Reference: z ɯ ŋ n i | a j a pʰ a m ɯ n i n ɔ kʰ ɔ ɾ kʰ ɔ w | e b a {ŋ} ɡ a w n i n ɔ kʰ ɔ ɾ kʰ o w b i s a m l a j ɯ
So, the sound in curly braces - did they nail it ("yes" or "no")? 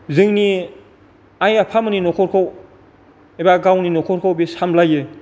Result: no